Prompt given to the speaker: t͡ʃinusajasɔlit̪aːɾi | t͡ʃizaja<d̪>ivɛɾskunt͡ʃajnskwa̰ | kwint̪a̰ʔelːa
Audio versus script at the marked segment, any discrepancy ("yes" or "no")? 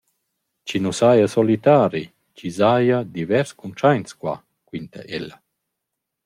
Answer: no